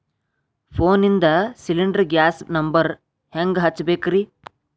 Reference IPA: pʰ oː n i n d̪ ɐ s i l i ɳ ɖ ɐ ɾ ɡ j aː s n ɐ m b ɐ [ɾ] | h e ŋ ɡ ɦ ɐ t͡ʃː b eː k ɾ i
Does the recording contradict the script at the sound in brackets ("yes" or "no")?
no